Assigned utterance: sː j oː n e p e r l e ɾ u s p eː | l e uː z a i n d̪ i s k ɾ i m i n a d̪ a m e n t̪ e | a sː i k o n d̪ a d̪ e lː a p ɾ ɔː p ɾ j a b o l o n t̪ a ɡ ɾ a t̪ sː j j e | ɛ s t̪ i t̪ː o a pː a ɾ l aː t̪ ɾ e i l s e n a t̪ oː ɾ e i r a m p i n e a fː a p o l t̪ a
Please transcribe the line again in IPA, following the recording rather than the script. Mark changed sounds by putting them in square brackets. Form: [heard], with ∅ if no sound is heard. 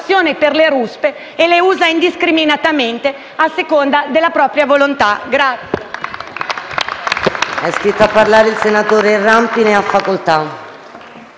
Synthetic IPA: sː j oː n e p e r l e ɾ u s p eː | l e uː z a i n d̪ i s k ɾ i m i n a [t̪] a m e n t̪ e | a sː [e] k o n d̪ a d̪ e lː a p ɾ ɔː p ɾ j a [v] o l o n t̪ a ɡ ɾ a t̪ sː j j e | ɛ s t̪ i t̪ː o a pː a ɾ l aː [∅] ɾ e i l s e n a t̪ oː ɾ e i r a m p i n e a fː a [k] o l t̪ a